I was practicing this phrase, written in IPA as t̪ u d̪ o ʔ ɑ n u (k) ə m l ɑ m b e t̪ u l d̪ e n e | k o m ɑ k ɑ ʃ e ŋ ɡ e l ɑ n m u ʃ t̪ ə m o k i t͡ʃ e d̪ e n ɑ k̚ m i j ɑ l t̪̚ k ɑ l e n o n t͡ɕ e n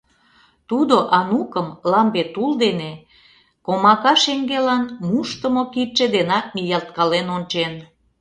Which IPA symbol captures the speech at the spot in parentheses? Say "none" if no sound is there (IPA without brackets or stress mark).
k